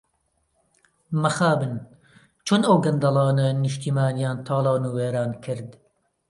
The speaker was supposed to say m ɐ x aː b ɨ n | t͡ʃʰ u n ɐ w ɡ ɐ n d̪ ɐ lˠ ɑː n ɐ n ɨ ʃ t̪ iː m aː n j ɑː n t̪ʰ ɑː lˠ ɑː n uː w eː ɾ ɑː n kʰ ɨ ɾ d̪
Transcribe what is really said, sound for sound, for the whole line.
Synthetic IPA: m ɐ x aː b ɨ n | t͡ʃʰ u n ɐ w ɡ ɐ n d̪ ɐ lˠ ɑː n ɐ n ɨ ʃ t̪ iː m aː n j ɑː n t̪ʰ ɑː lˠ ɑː n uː w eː ɾ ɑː n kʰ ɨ ɾ d̪